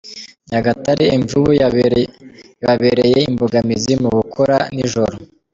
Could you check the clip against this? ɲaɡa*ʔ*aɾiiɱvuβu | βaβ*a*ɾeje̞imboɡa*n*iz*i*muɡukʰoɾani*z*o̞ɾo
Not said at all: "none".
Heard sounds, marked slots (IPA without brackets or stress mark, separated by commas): t, e, m, i, ʒ